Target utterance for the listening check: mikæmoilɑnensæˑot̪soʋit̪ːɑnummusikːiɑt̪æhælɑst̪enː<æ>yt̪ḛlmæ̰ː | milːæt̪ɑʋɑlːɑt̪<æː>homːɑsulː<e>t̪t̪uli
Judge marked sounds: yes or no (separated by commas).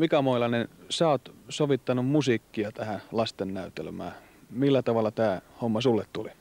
yes, yes, yes